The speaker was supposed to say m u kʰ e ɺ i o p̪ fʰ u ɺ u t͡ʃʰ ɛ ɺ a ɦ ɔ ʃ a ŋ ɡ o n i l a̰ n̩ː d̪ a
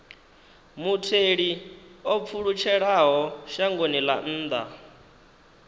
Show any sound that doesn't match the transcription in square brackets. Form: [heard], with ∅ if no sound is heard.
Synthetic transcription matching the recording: m u [tʰ] e ɺ i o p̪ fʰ u ɺ u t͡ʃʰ ɛ ɺ a ɦ ɔ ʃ a ŋ ɡ o n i l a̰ n̩ː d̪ a

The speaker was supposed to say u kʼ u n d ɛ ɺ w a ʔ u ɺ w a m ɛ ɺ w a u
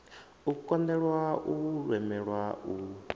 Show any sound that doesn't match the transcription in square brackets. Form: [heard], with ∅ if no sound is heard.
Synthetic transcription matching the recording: u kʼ [ɔ] n d ɛ ɺ w a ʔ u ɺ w [ɛ] m ɛ ɺ w a u

